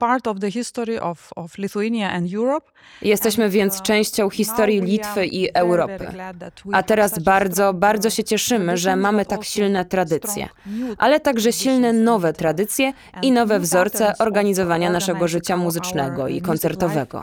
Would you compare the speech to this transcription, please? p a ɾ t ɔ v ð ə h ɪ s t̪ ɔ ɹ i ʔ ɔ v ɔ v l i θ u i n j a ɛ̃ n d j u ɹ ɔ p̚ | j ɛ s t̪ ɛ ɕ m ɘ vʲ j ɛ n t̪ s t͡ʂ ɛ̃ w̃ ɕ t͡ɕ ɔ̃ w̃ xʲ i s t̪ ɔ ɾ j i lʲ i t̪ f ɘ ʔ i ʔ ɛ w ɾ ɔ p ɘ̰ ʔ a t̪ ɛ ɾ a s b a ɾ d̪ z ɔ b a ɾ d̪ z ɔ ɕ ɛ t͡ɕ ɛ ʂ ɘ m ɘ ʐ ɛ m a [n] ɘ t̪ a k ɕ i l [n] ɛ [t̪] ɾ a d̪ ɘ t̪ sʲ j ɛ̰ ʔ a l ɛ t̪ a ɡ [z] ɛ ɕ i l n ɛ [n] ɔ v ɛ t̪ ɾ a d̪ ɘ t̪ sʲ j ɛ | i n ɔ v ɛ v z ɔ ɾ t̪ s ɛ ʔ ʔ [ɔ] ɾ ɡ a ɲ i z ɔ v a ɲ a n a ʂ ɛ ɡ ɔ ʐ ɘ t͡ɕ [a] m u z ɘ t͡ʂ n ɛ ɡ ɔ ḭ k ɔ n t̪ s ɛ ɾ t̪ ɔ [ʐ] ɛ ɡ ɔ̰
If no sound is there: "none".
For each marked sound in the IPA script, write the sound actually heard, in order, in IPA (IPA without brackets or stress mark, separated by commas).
m, n, t̪, ʐ, n, ɔ, a, v